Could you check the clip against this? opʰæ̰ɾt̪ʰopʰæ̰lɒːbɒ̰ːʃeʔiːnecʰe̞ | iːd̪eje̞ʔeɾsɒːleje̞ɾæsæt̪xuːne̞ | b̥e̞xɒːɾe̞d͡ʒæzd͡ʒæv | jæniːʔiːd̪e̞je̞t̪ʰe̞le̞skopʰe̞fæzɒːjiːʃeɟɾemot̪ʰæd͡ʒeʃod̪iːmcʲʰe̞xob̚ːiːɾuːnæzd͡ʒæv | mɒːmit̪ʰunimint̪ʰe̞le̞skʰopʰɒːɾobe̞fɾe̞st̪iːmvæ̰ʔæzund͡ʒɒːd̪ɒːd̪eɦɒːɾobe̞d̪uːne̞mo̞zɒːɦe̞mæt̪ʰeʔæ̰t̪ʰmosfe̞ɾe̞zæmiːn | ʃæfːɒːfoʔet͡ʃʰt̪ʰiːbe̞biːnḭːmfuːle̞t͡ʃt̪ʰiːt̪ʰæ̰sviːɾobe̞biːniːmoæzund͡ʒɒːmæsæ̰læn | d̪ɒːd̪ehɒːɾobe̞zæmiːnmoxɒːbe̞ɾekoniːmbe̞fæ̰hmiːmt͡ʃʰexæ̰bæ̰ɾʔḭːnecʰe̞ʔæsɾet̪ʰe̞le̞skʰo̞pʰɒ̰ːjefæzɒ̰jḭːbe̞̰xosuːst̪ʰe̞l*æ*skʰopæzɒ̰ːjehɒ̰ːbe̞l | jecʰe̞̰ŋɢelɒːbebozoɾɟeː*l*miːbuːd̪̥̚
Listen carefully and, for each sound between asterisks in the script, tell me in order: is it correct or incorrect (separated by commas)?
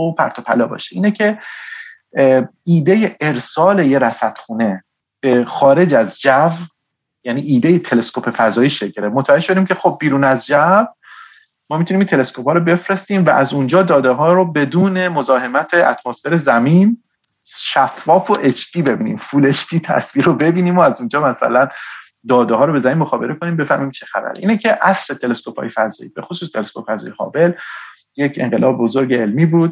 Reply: incorrect, correct